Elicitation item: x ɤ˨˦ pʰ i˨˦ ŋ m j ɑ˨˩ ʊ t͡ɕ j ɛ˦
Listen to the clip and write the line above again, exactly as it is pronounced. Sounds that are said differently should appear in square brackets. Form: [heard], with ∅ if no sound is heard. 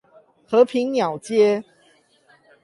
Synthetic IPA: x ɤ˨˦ pʰ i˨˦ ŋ [n] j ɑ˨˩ ʊ t͡ɕ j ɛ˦